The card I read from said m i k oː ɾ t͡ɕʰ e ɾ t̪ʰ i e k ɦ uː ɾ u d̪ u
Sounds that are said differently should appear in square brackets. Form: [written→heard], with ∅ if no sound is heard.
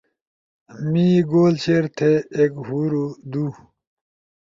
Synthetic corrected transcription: m i [k→ɡ] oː [ɾ→l] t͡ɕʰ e ɾ t̪ʰ [i→e] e k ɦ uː ɾ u d̪ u